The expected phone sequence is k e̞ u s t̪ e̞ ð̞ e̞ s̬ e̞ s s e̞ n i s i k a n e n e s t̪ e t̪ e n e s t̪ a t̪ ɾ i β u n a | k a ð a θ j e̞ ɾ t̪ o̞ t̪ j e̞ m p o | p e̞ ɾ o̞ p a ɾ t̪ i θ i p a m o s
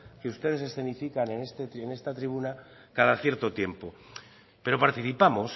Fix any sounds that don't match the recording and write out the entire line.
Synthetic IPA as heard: k e̞ u s t̪ e̞ ð̞ e̞ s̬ e̞ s θ e̞ n i f i k a n e n e s t̪ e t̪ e n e s t̪ a t̪ ɾ i β u n a | k a ð a θ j e̞ ɾ t̪ o̞ t̪ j e̞ m p o | p e̞ ɾ o̞ p a ɾ t̪ i θ i p a m o s